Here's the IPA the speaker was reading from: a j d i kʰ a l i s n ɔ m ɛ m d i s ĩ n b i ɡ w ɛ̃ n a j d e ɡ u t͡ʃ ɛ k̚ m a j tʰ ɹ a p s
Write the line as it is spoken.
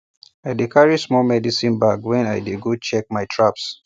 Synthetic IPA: a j d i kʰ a ɹ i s m ɔ m ɛ d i s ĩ n b a ɡ w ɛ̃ n a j d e ɡ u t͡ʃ ɛ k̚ m a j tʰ ɹ a p s